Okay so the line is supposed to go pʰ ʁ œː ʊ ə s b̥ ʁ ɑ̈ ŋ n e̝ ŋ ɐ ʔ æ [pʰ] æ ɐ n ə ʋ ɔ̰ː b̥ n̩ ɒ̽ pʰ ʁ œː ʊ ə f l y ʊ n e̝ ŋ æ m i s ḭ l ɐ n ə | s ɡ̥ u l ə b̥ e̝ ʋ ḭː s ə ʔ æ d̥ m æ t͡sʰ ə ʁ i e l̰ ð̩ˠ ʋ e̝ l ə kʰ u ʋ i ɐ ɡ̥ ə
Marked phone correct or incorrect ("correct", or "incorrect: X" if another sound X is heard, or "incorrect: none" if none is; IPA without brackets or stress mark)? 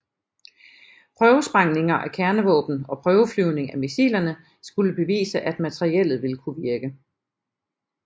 incorrect: kʰ